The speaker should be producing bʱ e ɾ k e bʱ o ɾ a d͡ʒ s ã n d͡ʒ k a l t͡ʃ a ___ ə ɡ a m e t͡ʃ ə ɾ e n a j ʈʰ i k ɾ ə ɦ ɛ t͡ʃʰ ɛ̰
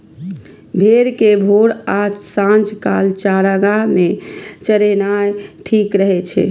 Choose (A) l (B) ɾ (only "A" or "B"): B